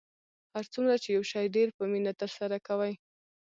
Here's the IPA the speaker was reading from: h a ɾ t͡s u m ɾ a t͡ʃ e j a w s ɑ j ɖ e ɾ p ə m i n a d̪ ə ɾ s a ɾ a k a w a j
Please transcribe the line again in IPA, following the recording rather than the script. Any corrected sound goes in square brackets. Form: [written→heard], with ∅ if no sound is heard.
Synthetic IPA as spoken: h a ɾ t͡s u m ɾ a t͡ʃ e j a w [s→ʃ] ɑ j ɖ e ɾ p ə m i n a [d̪→t̪] ə ɾ s a ɾ a k a w a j